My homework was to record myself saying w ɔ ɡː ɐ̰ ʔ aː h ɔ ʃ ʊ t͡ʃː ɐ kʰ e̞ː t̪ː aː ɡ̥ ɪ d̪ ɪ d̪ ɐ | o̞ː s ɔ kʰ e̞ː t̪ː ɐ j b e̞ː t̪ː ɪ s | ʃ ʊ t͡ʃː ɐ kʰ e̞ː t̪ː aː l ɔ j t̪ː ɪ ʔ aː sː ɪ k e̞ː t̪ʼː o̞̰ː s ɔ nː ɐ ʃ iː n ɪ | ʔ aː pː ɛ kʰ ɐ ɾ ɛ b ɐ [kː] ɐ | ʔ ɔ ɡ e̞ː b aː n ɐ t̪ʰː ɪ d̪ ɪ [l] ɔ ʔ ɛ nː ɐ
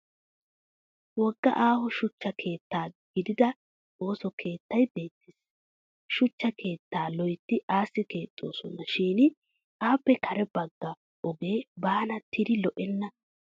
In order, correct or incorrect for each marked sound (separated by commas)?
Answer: incorrect, correct